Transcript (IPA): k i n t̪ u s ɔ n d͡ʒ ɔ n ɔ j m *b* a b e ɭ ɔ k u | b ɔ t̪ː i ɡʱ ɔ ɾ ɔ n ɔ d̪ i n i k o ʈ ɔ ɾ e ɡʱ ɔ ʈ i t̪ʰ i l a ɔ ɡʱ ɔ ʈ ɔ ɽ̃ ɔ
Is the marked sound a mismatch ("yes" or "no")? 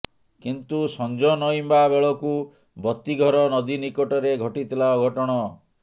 no